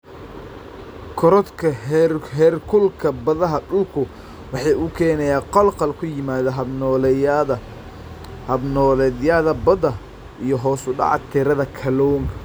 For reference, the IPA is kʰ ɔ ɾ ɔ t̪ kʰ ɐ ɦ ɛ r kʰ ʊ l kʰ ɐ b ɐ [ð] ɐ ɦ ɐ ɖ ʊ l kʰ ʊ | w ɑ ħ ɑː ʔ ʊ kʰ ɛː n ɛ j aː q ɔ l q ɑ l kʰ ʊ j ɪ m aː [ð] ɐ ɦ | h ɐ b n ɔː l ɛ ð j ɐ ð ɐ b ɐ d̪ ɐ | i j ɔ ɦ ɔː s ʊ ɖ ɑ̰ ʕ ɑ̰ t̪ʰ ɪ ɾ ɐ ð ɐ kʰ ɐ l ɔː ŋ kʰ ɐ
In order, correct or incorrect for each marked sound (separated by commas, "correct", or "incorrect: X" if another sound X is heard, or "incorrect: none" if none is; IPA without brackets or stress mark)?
correct, correct